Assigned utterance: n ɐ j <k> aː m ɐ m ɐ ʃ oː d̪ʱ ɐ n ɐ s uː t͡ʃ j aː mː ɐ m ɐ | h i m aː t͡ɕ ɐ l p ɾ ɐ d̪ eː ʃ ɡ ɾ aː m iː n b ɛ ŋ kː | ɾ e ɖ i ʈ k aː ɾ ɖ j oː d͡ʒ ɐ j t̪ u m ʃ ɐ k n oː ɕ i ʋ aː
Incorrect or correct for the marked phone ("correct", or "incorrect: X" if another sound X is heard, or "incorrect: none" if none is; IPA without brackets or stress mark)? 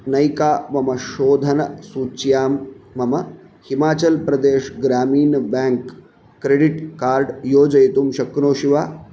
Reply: correct